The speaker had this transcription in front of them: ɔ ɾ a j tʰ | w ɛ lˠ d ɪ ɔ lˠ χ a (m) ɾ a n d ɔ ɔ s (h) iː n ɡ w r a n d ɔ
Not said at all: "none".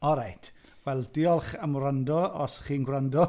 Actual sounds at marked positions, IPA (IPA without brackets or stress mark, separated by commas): m, χ